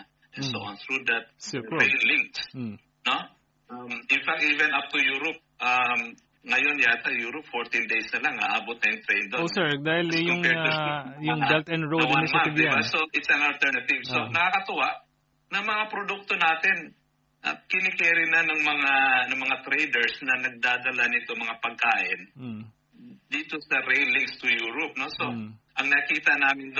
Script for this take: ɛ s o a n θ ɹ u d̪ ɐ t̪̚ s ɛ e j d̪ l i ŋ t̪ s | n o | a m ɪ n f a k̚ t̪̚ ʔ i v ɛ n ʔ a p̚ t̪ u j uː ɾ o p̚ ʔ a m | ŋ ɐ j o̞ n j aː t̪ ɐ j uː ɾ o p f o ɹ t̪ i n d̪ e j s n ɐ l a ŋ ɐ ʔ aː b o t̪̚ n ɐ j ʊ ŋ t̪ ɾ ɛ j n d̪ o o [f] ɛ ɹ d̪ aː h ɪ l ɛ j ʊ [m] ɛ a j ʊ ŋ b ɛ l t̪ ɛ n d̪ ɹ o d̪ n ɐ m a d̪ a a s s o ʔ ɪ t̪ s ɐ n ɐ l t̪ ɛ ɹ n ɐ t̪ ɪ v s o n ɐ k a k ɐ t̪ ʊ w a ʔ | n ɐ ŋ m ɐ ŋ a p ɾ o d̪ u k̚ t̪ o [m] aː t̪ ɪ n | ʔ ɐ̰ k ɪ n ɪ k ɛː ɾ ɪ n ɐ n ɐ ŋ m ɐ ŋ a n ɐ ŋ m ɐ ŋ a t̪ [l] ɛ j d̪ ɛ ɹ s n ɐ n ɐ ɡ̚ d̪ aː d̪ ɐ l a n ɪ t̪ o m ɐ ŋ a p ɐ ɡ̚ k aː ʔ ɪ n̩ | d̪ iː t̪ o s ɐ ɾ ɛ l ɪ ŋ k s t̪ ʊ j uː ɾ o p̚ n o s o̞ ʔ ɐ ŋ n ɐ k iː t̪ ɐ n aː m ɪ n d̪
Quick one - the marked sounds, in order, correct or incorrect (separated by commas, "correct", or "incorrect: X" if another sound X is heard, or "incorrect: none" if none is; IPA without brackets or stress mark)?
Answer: incorrect: s, incorrect: ŋ, incorrect: n, incorrect: ɾ